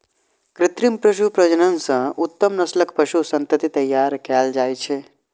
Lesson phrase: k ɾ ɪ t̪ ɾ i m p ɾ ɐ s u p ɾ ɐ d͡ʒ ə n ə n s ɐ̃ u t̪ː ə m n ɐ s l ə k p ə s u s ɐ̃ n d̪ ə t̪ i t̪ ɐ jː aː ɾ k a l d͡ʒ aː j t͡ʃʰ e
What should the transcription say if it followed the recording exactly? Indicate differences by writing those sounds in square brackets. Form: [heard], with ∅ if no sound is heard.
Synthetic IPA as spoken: k ɾ ɪ t̪ ɾ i m p ɾ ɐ [ʃ] u p ɾ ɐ d͡ʒ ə n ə n s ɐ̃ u t̪ː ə m n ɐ s l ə k p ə [ʃ] u s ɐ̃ n [t̪] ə t̪ i t̪ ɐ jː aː ɾ k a l d͡ʒ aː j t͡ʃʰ e